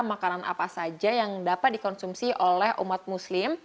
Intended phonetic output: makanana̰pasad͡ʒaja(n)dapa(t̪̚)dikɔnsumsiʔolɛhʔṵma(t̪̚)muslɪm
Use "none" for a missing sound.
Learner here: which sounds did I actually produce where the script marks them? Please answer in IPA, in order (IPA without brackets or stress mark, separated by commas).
ŋ, t̪̚, t̪̚